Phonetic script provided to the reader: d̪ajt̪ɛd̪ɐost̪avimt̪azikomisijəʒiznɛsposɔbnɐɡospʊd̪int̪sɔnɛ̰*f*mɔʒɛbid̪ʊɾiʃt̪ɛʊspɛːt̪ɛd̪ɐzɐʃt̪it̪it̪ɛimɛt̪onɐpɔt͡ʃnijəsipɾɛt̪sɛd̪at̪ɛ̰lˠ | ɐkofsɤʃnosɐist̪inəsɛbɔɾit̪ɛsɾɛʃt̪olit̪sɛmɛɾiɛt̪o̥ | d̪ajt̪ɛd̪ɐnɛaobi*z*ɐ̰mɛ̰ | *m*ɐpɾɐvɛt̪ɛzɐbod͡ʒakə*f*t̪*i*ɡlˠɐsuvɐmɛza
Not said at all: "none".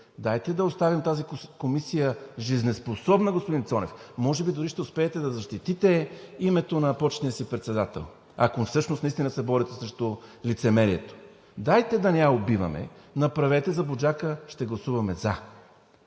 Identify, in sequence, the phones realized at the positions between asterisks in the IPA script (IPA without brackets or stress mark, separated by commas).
f, v, n, ʃ, ɛ